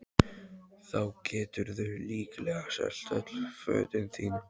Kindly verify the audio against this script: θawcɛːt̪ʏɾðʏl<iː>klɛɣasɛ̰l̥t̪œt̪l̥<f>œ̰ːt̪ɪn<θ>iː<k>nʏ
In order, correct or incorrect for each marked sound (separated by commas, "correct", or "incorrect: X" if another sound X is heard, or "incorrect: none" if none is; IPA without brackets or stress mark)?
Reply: correct, correct, correct, incorrect: none